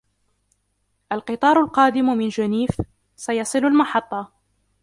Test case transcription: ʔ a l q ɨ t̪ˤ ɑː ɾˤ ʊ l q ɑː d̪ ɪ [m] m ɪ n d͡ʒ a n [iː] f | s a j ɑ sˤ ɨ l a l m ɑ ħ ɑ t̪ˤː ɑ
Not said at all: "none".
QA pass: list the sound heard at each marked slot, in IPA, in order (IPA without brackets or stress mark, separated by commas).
m, iː